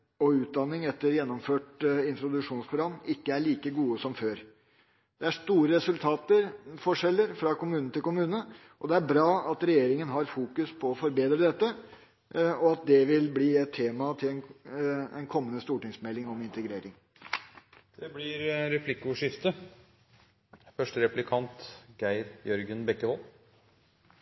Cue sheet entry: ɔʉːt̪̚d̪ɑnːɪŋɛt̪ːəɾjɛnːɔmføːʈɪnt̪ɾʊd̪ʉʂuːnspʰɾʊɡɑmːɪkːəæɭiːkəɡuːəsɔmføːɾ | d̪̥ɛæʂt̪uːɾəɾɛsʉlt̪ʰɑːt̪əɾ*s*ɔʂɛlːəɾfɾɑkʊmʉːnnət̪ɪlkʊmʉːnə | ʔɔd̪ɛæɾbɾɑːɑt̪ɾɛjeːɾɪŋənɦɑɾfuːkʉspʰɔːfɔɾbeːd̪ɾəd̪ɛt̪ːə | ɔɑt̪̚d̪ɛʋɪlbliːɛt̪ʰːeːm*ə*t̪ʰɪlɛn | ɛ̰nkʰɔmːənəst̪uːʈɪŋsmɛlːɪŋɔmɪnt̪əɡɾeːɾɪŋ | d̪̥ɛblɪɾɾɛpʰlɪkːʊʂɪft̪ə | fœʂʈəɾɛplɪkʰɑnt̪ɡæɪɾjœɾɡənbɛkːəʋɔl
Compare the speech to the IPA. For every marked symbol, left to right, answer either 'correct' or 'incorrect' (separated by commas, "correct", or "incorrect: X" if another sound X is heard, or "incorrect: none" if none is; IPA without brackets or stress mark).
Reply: incorrect: f, incorrect: ɑ